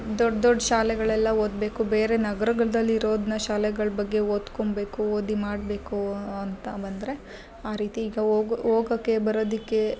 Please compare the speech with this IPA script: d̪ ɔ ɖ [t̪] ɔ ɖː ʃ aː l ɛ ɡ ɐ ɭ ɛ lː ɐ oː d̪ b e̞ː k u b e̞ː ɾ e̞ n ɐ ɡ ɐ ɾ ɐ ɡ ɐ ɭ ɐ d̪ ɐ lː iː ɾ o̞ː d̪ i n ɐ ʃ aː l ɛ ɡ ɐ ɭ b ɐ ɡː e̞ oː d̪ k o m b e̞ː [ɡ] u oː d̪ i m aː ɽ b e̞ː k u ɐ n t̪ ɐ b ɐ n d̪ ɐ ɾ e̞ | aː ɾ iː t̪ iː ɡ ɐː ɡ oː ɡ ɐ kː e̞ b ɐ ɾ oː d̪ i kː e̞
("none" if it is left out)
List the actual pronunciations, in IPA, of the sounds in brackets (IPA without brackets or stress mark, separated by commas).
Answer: d̪, k